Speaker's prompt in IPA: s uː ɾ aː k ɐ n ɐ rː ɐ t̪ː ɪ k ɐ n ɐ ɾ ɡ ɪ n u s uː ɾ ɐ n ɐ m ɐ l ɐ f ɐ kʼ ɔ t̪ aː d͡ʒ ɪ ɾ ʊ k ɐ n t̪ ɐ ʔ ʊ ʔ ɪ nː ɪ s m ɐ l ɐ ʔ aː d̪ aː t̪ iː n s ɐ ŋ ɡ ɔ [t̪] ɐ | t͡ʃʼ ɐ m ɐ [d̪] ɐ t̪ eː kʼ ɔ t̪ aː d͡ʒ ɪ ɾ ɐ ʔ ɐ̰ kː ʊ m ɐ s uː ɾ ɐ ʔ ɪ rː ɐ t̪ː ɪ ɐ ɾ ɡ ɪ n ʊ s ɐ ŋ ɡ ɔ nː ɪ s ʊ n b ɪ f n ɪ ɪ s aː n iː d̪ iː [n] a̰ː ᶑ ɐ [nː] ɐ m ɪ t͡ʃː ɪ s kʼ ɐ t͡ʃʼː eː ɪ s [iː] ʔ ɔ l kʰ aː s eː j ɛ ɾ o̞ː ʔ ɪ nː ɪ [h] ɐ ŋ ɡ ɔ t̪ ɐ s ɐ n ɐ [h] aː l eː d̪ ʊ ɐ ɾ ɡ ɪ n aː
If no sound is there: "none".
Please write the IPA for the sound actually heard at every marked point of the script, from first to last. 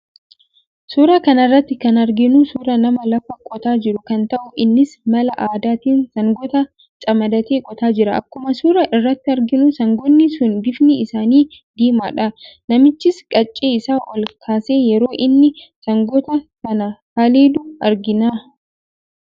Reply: t̪, d̪, m, n, aː, s, h

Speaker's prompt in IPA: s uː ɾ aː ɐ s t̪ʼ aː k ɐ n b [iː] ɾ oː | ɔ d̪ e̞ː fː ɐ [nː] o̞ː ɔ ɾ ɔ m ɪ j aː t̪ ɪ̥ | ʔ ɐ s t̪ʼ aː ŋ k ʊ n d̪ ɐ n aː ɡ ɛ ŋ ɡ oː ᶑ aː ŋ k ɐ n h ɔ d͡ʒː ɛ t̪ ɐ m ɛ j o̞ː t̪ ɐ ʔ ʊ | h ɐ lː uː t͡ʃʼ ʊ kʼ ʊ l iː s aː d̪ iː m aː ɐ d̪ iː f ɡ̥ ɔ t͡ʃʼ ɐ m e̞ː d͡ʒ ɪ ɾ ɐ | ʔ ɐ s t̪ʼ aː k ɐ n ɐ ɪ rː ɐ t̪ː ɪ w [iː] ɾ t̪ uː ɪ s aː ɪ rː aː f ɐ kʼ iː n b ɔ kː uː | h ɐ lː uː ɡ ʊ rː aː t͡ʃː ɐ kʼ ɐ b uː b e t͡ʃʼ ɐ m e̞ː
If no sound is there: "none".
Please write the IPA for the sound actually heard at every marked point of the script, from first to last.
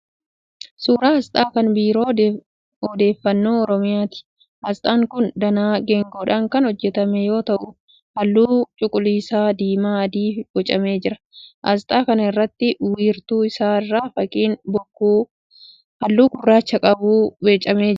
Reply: iː, nː, iː

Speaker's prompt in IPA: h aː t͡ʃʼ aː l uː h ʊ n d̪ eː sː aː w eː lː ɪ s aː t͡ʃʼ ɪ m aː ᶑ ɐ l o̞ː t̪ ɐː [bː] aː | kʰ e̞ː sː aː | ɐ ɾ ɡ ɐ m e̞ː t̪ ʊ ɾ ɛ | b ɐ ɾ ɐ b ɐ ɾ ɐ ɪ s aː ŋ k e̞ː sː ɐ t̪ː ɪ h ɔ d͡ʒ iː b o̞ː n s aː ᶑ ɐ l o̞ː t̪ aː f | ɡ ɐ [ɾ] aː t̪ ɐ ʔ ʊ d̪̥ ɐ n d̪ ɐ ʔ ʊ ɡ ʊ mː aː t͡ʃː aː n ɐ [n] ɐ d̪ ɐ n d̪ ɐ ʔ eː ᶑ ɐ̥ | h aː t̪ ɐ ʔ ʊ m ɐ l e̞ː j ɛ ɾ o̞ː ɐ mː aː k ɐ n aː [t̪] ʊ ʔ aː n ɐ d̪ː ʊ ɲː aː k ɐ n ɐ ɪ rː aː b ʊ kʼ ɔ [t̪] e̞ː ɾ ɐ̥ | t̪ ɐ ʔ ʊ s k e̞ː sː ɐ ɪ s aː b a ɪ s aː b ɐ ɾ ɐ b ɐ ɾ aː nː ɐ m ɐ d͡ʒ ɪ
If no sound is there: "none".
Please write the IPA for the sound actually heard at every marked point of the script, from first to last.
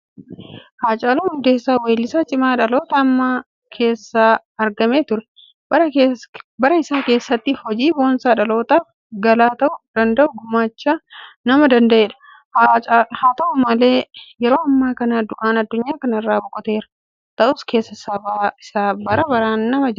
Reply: mː, l, m, d̪, t̪

